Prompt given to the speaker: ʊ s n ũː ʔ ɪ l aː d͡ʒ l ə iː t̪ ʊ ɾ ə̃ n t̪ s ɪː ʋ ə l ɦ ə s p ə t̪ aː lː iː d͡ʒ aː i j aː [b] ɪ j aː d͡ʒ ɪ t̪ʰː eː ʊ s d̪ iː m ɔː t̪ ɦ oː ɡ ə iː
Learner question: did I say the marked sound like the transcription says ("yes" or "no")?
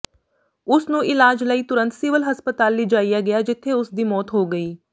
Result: no